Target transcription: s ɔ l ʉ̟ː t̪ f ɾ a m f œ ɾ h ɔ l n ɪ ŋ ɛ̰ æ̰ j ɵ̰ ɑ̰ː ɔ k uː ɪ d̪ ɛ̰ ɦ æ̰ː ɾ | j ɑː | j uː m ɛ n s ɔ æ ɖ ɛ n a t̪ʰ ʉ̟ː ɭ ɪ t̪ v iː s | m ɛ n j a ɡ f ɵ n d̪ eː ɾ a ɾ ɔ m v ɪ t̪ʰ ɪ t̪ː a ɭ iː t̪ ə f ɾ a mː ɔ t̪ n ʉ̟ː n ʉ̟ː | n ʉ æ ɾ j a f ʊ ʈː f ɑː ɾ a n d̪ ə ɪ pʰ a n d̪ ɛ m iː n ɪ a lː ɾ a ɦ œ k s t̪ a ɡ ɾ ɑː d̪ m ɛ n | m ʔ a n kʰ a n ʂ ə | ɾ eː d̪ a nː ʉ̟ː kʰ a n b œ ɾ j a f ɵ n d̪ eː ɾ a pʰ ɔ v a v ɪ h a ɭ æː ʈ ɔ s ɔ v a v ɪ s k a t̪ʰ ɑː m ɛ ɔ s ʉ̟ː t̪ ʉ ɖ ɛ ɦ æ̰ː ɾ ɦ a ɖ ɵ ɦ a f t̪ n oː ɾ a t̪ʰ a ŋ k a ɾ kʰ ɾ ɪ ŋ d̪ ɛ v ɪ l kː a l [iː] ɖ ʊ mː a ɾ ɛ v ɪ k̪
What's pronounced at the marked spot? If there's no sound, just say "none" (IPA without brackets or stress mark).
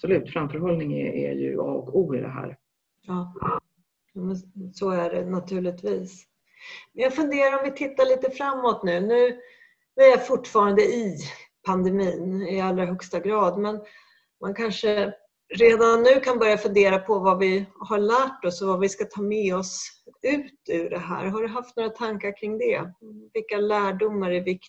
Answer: æː